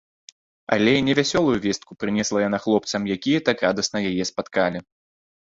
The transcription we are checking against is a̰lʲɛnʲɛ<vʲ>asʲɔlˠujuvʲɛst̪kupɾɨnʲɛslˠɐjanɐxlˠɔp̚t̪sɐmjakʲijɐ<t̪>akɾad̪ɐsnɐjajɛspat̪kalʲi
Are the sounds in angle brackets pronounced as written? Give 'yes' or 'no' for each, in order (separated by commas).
yes, yes